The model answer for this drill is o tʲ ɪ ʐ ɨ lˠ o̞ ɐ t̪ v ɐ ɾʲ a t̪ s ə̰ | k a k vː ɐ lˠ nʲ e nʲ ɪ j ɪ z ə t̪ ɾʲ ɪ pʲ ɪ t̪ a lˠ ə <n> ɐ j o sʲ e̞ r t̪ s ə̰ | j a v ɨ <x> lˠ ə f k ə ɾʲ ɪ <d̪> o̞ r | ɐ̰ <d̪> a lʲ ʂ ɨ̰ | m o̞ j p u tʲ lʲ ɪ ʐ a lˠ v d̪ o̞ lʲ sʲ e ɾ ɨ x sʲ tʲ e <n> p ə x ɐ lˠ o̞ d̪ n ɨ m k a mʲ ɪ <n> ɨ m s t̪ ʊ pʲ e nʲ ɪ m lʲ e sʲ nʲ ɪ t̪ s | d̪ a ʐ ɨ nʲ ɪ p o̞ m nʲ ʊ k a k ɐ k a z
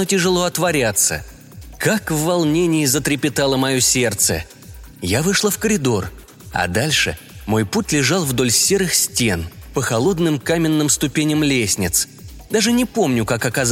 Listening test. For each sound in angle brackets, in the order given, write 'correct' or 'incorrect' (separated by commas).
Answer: incorrect, incorrect, correct, correct, correct, incorrect